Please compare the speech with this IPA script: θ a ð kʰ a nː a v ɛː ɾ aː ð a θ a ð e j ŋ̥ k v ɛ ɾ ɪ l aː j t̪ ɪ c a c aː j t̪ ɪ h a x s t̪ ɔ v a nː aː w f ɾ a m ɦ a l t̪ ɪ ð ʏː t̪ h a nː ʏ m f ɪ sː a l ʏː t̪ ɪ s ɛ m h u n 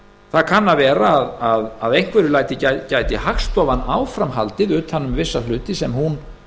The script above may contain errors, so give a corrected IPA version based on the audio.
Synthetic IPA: θ a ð kʰ a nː a v ɛː ɾ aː ð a ð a ð e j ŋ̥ k v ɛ ɾ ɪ l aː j t̪ ɪ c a c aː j t̪ ɪ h a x s t̪ ɔ v a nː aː w f ɾ a m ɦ a l t̪ ɪ ð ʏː t̪ h a nː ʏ m v ɪ sː a l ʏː t̪ ɪ s ɛ m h u n